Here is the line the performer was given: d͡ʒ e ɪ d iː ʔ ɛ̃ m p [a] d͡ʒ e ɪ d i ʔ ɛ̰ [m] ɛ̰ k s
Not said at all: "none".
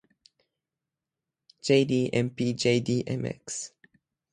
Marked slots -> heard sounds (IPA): i, m

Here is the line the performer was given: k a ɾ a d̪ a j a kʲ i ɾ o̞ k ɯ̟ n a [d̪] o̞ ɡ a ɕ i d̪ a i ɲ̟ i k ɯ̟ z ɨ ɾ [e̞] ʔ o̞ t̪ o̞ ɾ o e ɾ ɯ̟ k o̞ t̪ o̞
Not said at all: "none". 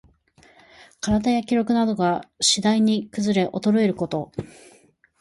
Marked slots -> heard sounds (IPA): d̪, e̞

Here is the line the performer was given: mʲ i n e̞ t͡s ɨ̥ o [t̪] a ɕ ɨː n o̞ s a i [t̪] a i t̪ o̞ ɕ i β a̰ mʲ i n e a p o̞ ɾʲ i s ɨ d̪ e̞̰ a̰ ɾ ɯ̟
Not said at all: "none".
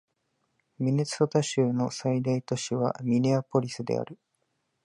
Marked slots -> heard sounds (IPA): t̪, d̪

